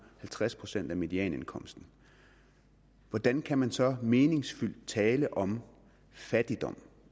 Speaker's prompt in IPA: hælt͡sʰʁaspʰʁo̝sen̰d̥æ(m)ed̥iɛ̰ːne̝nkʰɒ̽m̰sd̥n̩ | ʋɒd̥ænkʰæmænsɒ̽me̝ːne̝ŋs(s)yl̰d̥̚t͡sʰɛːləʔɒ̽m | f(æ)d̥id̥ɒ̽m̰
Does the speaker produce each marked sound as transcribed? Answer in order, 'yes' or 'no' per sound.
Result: yes, no, yes

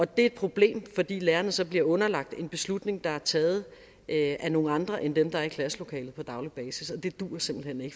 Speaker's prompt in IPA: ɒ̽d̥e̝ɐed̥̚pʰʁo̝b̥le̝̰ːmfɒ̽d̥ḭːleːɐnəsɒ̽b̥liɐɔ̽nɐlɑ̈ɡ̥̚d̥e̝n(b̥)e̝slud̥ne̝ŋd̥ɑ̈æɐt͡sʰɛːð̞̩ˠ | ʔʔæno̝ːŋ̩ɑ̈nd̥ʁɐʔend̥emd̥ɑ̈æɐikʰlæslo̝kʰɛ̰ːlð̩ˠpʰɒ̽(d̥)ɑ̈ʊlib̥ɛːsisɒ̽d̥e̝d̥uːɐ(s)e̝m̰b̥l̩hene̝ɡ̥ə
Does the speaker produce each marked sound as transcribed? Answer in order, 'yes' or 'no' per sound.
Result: yes, yes, yes

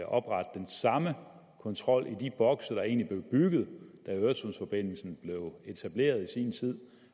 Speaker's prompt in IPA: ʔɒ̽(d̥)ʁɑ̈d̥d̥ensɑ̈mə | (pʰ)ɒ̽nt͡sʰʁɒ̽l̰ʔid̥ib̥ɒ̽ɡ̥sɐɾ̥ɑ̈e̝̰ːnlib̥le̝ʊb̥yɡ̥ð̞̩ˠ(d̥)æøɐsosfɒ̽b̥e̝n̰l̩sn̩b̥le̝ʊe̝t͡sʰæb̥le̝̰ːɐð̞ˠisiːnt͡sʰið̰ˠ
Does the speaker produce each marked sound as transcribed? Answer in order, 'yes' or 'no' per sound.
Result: no, no, yes

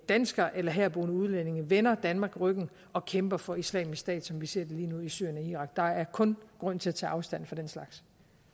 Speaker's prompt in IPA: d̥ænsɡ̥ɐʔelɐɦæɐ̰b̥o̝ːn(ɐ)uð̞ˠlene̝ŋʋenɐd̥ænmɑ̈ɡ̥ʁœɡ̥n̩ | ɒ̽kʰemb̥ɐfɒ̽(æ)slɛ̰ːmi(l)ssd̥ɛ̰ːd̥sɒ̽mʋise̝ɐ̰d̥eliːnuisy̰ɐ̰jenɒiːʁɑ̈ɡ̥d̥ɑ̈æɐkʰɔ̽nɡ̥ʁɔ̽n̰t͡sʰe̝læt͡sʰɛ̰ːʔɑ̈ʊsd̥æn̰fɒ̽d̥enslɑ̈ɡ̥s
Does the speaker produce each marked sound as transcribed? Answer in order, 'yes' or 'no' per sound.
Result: no, no, no

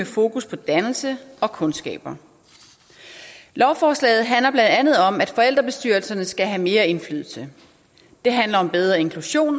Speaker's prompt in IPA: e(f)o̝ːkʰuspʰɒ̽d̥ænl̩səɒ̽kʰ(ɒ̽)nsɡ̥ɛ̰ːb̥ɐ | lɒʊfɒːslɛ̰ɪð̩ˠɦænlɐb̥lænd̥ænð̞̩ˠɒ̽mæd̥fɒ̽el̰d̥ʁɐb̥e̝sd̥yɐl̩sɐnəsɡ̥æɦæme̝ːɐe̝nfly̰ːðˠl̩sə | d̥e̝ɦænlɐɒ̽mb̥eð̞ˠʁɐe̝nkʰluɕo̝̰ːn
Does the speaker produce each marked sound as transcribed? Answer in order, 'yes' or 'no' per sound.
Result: yes, no

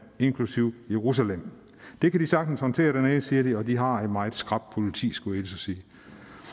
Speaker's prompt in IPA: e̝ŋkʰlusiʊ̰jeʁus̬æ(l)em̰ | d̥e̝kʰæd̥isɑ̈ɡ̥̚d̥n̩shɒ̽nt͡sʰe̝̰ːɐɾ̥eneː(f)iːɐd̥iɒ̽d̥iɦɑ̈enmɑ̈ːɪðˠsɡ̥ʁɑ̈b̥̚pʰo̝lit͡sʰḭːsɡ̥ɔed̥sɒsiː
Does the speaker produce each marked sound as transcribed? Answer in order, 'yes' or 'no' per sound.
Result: yes, no

